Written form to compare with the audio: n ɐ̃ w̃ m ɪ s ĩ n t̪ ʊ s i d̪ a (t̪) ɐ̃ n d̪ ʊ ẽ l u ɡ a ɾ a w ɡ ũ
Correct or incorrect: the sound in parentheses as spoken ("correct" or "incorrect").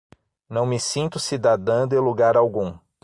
incorrect